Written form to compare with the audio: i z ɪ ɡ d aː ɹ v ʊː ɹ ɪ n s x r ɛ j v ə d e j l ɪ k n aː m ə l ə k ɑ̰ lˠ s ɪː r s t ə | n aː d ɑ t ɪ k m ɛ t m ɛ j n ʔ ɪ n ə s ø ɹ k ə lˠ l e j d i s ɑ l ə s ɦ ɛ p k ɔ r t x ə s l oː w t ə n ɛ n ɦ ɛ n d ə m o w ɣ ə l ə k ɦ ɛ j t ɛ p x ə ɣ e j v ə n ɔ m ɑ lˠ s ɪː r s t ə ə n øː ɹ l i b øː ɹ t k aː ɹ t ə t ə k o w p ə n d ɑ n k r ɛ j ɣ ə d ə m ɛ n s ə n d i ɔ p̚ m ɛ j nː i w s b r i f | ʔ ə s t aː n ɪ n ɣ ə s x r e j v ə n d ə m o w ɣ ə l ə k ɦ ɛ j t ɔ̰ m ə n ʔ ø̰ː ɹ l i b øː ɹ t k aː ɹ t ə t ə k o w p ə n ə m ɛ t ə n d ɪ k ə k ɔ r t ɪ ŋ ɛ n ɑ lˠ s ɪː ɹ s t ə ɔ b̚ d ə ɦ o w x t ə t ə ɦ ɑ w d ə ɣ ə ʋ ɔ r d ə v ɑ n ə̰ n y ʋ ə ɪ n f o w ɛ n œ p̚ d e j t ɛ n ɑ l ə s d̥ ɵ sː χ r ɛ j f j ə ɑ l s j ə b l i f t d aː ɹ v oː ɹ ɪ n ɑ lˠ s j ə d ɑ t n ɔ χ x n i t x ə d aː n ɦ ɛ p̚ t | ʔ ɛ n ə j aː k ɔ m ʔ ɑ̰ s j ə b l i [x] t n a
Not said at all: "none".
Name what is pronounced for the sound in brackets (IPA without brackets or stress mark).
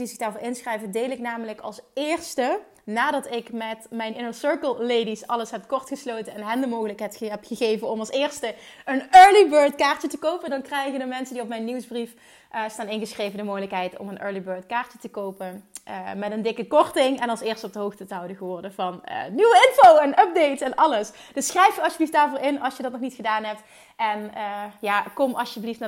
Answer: f